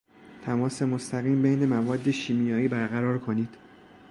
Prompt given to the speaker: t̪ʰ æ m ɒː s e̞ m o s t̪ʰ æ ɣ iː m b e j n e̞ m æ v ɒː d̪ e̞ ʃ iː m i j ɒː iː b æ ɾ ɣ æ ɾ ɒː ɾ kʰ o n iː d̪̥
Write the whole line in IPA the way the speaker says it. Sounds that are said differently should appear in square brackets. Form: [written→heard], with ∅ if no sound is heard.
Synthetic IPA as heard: t̪ʰ æ m ɒː s e̞ m o s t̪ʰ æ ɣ iː m b e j n e̞ m æ v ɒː [d̪→d̪ː] e̞ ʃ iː m i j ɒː iː b æ ɾ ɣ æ ɾ ɒː ɾ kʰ o n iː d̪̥